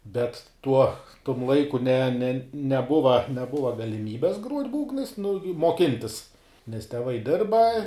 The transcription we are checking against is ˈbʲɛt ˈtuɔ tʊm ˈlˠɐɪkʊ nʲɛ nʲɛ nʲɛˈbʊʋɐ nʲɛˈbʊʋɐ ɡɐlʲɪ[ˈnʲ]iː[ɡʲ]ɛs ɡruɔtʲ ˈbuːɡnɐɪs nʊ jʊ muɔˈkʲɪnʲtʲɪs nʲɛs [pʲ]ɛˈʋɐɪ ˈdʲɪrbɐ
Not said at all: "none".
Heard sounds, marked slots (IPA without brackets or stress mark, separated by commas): mʲ, bʲ, tʲ